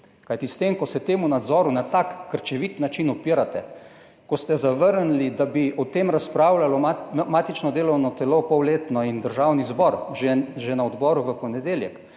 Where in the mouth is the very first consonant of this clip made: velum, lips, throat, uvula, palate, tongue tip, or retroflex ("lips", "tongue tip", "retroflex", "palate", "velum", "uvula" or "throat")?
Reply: velum